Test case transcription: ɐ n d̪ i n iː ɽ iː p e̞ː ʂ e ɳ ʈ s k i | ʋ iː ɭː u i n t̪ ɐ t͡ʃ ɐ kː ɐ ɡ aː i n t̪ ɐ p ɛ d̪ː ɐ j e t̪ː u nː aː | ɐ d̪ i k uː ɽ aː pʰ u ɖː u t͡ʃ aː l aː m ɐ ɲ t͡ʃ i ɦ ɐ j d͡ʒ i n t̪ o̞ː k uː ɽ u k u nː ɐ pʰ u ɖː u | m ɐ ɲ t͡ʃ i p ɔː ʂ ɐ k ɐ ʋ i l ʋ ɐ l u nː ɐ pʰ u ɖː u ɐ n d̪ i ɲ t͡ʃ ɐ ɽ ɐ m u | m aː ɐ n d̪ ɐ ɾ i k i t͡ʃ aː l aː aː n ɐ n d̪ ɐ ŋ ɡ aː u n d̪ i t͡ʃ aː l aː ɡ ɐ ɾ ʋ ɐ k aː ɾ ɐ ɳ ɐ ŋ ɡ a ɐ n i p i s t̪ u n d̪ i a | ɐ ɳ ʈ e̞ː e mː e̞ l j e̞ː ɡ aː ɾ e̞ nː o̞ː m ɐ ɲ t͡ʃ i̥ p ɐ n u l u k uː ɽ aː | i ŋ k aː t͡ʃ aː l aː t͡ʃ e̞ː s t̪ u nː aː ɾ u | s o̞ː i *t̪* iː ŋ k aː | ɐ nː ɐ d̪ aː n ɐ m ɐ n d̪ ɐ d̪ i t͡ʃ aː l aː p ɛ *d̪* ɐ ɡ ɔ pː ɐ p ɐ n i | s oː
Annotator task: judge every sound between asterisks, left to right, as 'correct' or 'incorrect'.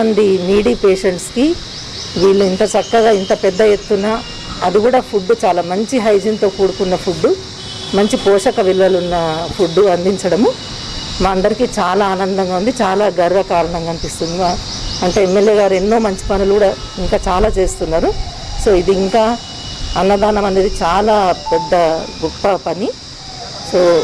incorrect, incorrect

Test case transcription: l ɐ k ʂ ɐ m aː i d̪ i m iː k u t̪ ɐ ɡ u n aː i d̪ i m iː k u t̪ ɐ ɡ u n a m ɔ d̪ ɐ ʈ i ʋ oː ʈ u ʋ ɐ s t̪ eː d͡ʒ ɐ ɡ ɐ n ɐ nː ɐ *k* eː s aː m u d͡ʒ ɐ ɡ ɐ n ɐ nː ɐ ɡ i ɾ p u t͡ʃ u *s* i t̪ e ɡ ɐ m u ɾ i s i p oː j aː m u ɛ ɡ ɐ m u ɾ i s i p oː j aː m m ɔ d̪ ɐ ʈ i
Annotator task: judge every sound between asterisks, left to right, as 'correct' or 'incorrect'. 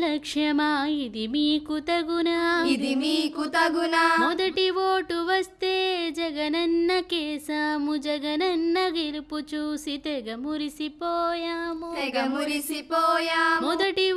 correct, correct

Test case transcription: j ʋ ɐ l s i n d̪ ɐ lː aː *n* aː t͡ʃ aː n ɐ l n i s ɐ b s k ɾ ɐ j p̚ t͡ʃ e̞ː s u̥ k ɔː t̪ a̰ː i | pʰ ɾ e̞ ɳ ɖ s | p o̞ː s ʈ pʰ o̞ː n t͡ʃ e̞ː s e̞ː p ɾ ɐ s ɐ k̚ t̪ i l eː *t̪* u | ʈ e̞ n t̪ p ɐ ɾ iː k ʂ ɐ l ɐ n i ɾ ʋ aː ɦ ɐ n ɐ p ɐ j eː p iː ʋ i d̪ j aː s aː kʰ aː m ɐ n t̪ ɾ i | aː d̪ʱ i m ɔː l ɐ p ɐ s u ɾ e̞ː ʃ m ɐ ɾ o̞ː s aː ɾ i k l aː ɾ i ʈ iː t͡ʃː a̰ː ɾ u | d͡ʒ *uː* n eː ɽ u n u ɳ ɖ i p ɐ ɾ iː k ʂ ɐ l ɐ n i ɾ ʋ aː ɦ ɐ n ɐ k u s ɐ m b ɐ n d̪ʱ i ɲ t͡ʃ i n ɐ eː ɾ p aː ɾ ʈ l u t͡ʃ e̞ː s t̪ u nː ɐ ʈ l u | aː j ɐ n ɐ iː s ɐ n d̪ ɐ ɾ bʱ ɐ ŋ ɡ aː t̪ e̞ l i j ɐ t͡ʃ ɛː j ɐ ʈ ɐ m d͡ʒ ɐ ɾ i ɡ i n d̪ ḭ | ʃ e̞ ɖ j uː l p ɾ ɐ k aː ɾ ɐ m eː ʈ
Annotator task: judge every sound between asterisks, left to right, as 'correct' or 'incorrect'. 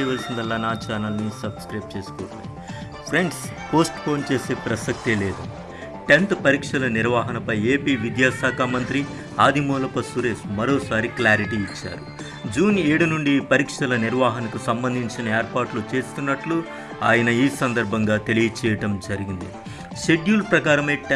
correct, incorrect, correct

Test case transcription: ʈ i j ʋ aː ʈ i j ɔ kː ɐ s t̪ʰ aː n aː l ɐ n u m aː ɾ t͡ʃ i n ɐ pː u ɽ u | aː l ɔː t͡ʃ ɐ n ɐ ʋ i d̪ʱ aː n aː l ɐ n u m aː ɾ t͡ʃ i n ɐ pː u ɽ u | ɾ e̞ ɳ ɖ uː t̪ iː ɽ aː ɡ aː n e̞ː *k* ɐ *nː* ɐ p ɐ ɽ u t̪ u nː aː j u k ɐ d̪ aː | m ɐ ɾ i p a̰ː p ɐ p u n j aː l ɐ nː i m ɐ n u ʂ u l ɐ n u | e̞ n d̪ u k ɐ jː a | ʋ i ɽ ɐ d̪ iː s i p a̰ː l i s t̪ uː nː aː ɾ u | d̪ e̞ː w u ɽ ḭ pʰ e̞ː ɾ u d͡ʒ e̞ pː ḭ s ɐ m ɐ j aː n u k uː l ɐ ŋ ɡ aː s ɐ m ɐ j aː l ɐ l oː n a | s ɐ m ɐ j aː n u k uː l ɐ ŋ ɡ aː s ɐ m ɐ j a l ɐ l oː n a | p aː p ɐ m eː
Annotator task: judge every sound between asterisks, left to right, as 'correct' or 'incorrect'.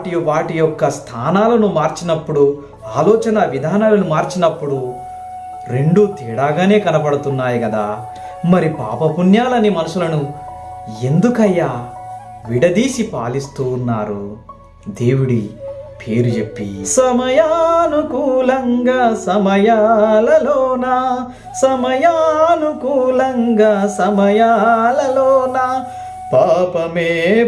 correct, incorrect

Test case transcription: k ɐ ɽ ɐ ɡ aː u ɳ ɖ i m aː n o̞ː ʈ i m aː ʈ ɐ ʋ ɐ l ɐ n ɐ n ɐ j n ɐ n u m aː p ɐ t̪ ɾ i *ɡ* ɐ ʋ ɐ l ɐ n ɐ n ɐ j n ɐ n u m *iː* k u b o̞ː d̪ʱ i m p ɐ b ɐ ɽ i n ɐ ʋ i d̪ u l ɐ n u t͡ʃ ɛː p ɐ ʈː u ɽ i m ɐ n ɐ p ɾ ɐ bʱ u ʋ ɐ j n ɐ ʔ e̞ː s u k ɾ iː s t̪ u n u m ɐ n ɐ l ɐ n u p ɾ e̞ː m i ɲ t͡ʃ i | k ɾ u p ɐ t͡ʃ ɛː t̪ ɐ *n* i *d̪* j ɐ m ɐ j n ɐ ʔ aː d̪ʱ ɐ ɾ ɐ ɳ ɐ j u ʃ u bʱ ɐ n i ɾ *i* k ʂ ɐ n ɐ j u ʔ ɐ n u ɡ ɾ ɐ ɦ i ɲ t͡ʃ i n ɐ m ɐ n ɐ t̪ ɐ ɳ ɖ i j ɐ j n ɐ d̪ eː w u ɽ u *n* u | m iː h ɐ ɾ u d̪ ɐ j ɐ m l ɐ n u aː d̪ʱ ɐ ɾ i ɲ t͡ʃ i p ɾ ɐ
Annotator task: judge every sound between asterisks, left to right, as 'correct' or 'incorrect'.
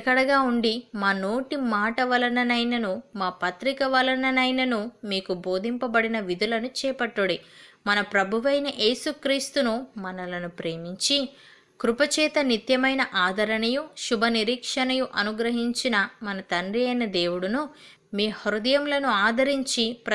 incorrect, correct, correct, incorrect, incorrect, correct

